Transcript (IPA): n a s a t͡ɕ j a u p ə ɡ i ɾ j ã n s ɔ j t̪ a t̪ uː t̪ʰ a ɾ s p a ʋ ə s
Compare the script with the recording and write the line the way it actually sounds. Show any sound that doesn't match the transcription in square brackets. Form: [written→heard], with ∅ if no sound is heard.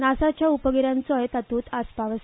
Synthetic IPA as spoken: n a s a t͡ɕ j a u p ə ɡ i ɾ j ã n [s→t͡s] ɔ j t̪ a t̪ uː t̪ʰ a [ɾ→∅] s p a ʋ ə s